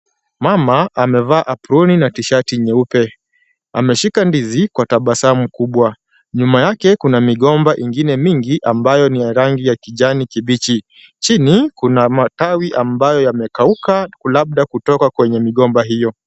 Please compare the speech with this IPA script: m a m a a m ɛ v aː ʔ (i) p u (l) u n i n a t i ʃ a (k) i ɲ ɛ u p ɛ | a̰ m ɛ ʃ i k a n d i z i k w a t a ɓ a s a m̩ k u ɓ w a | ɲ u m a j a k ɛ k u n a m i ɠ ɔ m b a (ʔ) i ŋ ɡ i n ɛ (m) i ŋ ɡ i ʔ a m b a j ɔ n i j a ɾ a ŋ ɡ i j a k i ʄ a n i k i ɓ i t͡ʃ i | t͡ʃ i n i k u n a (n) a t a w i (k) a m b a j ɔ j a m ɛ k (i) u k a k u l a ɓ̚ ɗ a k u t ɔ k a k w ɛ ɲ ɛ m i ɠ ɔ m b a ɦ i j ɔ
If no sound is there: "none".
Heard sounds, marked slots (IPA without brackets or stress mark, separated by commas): a, ɾ, t, ʔ, m, m, ʔ, a